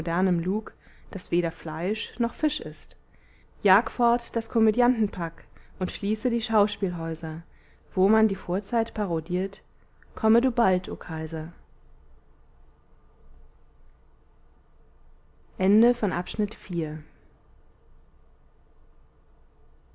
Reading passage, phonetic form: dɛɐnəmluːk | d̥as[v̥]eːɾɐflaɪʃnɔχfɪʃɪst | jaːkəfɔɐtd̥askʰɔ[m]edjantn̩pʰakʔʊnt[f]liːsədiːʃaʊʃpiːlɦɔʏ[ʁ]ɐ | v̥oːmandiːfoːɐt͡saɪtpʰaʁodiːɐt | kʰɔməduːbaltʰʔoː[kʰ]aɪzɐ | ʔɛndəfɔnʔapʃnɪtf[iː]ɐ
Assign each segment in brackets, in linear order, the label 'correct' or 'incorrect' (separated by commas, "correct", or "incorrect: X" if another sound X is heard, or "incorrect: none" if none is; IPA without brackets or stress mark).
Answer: correct, correct, incorrect: ʃ, incorrect: z, correct, correct